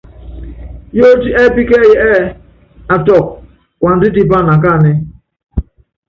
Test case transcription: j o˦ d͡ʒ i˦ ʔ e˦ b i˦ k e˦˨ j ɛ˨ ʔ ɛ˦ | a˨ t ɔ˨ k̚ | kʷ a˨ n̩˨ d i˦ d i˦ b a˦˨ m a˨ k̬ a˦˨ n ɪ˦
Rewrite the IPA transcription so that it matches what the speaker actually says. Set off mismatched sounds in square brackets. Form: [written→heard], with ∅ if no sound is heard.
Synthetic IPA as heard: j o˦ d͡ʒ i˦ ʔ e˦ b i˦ k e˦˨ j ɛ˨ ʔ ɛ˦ | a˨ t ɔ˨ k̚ | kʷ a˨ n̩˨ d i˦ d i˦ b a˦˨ [m→n] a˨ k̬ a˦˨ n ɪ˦